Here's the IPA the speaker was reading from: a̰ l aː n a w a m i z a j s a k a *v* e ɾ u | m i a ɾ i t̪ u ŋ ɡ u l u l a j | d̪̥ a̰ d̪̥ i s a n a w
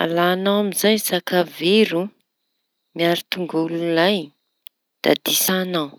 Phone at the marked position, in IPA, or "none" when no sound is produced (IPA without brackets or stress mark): v